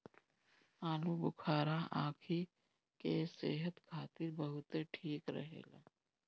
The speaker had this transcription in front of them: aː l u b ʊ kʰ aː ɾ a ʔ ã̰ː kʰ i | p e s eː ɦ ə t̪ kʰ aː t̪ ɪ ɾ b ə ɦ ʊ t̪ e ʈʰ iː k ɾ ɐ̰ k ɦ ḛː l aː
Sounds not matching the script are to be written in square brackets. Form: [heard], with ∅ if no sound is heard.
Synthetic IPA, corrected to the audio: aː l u b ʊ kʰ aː ɾ a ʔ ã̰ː kʰ i | [k] e s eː ɦ ə t̪ kʰ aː t̪ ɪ ɾ b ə ɦ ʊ t̪ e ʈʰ iː k ɾ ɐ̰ [∅] ɦ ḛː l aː